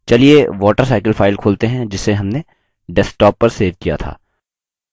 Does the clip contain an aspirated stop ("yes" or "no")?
yes